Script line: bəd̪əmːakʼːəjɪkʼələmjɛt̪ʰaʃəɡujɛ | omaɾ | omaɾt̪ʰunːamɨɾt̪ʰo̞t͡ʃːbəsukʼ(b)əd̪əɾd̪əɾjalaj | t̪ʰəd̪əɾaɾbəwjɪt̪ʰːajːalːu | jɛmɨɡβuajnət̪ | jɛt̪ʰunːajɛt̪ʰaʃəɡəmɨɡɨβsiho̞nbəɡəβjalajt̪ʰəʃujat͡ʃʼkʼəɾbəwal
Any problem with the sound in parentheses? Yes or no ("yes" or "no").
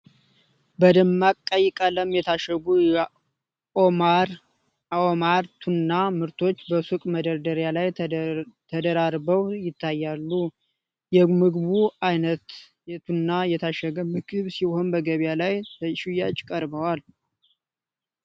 yes